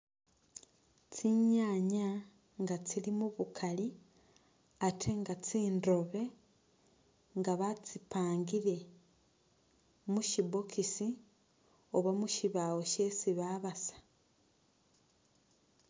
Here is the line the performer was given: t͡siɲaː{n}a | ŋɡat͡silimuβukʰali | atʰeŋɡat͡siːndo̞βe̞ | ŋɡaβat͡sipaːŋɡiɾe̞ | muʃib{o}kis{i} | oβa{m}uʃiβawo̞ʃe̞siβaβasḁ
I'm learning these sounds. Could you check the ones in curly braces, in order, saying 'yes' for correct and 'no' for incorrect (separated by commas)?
no, yes, yes, yes